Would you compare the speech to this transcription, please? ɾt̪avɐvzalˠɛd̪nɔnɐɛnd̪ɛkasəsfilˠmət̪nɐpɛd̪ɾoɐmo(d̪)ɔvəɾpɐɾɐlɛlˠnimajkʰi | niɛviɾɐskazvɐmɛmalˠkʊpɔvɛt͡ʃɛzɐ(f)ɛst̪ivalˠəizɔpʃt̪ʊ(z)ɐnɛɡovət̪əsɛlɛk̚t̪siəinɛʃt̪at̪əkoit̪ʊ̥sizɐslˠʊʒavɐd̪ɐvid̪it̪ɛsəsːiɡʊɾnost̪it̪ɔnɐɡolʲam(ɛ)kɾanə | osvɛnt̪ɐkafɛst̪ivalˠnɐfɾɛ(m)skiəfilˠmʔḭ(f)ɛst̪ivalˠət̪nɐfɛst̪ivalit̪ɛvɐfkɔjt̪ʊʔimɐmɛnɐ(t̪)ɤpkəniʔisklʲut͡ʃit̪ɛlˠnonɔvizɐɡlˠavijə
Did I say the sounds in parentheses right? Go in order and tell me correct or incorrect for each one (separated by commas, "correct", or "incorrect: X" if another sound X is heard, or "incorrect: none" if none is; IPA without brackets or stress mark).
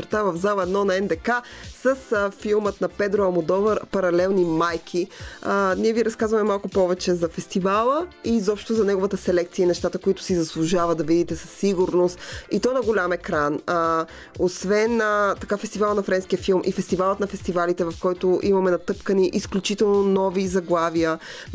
correct, correct, correct, correct, incorrect: n, correct, correct